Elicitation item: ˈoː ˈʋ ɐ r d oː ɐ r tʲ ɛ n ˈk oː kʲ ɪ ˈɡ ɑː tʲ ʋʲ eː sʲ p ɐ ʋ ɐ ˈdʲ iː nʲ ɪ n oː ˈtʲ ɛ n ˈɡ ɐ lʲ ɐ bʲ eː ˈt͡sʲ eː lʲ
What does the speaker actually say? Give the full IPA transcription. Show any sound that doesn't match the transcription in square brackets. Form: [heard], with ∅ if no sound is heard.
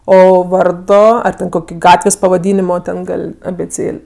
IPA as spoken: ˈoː ˈʋ ɐ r d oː ɐ r tʲ ɛ n ˈk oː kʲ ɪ ˈɡ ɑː tʲ ʋʲ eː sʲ p ɐ ʋ ɐ ˈdʲ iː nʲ ɪ [m] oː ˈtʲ ɛ n ˈɡ ɐ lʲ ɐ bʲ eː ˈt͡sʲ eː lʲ

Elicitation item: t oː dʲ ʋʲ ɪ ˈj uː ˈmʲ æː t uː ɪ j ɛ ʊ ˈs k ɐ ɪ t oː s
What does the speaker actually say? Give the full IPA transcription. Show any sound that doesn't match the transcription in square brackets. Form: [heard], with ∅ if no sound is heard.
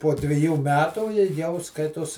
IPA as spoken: [p] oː dʲ ʋʲ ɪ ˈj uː ˈmʲ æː t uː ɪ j ɛ ʊ ˈs k ɐ ɪ t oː s

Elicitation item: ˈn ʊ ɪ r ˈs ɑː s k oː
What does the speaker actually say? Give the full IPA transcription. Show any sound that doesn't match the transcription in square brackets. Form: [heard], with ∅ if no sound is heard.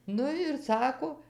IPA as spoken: ˈn ʊ ɪ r ˈs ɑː [∅] k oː

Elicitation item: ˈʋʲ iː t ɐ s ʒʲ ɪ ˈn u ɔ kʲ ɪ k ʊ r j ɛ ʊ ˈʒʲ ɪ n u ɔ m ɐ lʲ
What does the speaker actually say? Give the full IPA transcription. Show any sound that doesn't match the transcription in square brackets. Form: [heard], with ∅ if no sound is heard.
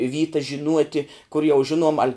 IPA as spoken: ˈʋʲ iː t ɐ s ʒʲ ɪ ˈn u ɔ [tʲ] ɪ k ʊ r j ɛ ʊ ˈʒʲ ɪ n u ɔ m ɐ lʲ

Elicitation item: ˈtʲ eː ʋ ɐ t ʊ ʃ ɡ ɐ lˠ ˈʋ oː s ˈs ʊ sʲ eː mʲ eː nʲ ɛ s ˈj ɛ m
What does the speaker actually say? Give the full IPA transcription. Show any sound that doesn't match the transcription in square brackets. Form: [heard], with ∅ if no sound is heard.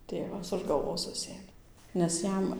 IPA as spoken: ˈtʲ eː ʋ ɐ [s] ʊ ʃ ɡ ɐ lˠ ˈʋ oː s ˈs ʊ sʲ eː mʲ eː nʲ ɛ s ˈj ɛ m

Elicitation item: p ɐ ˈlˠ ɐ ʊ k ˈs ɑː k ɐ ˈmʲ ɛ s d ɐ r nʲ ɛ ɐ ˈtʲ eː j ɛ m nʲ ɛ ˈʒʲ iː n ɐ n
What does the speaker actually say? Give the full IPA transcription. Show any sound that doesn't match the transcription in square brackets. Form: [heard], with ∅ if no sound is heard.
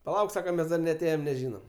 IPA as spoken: p ɐ ˈlˠ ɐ ʊ k ˈs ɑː k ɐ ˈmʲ ɛ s d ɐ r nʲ ɛ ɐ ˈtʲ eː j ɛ m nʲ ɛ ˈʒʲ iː n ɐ [m]

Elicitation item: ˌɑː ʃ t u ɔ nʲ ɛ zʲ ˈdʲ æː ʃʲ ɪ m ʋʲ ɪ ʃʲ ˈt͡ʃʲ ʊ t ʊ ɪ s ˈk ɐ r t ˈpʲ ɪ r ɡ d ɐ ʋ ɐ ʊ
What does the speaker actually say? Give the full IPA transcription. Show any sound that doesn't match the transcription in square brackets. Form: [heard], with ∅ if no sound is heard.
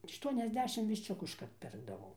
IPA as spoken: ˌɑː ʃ t u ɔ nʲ ɛ zʲ ˈdʲ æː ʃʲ ɪ m ʋʲ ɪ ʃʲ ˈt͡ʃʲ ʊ [k] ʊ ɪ [ʃ] ˈk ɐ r t ˈpʲ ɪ r ɡ d ɐ ʋ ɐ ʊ

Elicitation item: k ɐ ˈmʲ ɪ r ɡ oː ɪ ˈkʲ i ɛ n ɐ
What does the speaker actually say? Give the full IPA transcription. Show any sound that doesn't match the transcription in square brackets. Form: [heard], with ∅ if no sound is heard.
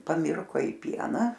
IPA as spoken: [p] ɐ ˈmʲ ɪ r [k] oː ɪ [ˈpʲ] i ɛ n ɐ

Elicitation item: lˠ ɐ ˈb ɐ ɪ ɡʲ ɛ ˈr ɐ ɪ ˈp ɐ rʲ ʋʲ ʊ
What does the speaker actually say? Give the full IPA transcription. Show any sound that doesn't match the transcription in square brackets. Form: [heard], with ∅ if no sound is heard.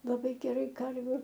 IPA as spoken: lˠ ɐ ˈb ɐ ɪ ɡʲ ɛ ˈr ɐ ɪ [ˈk] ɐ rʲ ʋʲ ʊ

